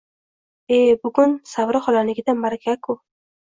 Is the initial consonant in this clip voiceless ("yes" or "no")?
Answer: no